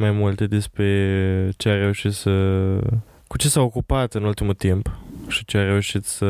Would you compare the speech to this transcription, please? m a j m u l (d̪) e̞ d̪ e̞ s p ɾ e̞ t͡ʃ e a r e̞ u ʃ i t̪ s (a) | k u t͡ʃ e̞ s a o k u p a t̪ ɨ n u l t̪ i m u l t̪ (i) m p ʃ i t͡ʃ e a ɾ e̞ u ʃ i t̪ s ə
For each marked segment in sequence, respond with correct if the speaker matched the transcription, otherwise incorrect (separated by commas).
incorrect, incorrect, correct